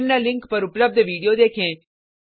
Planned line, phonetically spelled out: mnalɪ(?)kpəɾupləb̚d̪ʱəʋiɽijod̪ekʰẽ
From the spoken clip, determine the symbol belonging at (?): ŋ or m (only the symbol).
ŋ